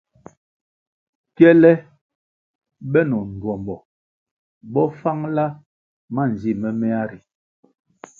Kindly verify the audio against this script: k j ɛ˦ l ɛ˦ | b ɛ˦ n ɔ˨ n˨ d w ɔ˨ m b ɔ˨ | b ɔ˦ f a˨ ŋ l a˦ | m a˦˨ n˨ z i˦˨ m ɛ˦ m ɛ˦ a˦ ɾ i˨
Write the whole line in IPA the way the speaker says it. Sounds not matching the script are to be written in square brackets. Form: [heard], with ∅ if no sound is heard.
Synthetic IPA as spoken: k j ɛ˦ l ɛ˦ | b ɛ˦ n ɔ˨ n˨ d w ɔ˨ m b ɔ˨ | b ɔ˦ f [a˦] ŋ l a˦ | m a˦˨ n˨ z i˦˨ m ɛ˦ m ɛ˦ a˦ ɾ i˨